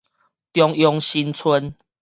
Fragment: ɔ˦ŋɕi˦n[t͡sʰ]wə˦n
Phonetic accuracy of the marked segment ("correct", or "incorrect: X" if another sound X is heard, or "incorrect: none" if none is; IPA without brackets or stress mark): correct